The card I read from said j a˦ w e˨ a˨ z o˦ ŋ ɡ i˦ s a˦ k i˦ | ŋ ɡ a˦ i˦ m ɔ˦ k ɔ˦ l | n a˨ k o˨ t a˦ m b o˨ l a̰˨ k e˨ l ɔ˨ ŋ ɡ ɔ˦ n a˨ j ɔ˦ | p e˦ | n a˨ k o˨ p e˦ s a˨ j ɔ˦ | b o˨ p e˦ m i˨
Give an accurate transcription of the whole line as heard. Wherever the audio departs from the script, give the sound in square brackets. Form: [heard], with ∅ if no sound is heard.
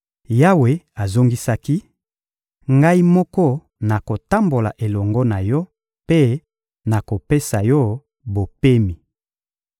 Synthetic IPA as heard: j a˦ w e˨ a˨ z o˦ ŋ ɡ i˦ s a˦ k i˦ | ŋ ɡ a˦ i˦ m ɔ˦ k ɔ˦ [∅] | n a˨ k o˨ t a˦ m b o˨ l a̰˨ [ʔ] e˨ l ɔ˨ ŋ ɡ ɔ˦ n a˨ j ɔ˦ | p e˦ | n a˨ k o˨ p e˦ s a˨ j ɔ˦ | b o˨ p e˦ m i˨